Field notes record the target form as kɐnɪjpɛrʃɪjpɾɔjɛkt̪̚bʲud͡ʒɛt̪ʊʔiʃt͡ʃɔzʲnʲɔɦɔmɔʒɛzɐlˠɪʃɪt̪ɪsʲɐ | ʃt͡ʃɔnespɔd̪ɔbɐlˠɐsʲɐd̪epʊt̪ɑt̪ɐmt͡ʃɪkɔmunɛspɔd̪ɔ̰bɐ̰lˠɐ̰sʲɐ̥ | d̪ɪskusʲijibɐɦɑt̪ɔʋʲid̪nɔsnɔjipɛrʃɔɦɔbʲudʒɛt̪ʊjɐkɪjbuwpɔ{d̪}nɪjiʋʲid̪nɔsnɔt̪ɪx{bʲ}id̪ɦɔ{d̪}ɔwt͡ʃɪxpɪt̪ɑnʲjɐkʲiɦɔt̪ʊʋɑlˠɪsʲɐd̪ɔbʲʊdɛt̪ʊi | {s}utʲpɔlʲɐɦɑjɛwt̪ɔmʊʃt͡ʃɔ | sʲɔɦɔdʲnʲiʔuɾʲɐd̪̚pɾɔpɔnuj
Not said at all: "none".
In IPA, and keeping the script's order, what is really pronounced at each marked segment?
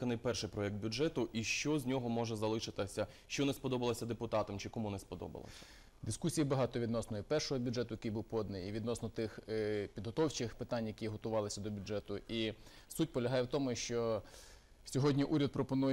d̪, pʲ, t̪, s

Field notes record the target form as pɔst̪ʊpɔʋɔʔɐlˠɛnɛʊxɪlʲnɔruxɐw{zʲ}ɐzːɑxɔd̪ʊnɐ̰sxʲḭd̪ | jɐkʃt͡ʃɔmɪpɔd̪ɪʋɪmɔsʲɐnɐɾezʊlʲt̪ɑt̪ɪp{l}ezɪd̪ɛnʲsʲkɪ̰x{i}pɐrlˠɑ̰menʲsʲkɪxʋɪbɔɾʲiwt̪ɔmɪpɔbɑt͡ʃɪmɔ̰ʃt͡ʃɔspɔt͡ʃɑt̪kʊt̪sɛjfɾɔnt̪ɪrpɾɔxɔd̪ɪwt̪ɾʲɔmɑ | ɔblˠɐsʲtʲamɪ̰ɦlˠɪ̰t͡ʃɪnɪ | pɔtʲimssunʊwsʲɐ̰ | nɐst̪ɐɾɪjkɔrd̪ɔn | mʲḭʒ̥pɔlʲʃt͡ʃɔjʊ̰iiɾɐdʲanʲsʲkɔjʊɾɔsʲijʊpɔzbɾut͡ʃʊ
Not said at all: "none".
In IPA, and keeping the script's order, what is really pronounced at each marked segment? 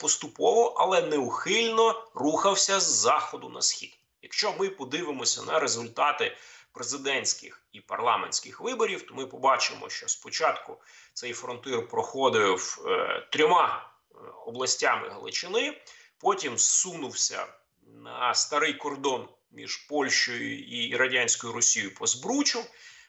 sʲ, ɾ, i

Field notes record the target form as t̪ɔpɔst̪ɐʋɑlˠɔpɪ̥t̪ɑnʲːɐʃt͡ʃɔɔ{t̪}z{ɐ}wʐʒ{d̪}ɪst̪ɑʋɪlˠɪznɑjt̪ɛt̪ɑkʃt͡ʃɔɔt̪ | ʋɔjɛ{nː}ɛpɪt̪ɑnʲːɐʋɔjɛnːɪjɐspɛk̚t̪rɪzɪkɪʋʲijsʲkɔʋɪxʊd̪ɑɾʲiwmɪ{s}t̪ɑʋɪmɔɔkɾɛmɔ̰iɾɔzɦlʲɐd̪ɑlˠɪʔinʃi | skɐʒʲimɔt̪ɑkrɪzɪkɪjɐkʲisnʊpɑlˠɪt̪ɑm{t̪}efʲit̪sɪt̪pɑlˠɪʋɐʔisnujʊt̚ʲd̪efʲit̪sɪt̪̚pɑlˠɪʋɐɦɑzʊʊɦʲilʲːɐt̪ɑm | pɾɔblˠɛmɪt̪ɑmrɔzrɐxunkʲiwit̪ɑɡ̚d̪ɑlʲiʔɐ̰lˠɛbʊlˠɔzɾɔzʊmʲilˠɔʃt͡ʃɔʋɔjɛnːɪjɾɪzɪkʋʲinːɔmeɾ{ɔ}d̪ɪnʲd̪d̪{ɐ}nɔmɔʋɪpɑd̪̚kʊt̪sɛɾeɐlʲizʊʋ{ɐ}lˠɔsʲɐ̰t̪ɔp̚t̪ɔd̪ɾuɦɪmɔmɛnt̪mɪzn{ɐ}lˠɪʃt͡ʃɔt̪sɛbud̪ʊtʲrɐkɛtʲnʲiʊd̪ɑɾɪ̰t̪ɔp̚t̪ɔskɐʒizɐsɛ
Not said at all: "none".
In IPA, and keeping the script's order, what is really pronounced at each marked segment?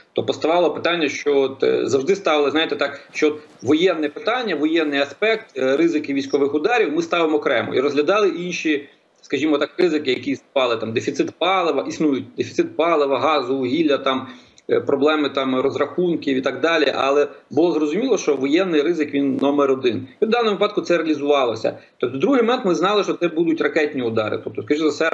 t̪, ɐ, d̪, nː, s, d̪, ɔ, ɑ, ɑ, ɑ

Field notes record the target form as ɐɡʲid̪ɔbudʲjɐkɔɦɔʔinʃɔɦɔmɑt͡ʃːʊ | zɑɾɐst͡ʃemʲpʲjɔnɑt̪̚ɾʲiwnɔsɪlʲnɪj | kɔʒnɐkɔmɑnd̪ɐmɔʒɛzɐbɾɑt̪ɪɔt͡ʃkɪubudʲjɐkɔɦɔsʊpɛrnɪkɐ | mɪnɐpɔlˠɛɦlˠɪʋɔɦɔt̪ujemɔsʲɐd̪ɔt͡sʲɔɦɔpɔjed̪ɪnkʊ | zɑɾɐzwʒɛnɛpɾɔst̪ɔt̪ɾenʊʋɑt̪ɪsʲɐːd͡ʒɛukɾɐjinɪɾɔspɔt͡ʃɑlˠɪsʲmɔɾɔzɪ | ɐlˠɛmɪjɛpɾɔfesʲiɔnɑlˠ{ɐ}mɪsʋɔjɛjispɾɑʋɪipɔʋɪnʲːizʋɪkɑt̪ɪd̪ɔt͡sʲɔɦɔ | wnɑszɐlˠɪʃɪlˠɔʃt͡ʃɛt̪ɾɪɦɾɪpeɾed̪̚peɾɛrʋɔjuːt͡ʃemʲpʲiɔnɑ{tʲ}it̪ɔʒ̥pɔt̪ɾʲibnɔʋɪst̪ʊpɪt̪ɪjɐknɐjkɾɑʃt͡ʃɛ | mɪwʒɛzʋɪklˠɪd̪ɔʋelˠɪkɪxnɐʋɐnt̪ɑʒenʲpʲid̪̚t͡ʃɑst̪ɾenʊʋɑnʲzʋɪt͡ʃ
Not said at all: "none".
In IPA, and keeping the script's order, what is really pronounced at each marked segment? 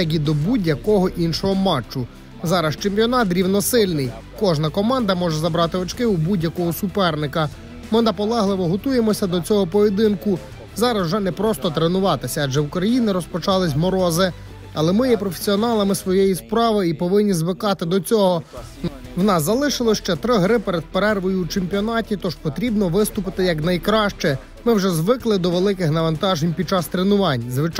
ɐ, tʲ

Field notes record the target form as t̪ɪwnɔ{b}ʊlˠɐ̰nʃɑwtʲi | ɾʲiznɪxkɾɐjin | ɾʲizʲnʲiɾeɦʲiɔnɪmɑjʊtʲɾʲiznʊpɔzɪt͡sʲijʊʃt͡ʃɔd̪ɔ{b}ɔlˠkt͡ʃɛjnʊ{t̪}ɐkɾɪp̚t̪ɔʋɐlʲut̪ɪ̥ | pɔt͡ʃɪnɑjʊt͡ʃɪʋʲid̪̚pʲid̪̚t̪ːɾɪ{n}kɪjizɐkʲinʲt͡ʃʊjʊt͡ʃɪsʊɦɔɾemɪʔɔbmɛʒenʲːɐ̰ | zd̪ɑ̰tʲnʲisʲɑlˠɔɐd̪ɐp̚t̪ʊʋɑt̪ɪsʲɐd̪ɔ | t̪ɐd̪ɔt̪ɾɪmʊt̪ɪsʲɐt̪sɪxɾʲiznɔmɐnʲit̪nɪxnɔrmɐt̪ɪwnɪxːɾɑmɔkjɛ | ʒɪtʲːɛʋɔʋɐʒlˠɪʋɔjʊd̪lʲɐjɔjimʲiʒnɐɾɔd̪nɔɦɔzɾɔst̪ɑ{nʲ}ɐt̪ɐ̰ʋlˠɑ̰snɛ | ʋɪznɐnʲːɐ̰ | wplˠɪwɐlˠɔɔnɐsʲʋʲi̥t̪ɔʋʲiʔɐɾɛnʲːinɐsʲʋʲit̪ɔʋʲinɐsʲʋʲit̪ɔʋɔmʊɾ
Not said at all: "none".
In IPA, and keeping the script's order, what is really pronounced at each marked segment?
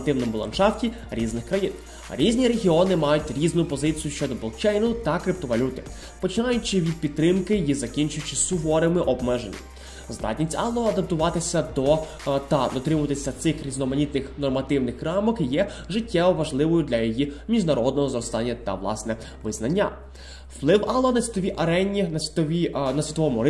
m, b, t̪, m, nʲː

